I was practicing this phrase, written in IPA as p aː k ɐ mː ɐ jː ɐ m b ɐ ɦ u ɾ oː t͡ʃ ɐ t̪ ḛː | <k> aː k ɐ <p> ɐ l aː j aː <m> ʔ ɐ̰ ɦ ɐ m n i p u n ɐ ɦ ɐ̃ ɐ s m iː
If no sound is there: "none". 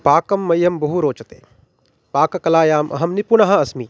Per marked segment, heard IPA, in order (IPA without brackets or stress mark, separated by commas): p, k, m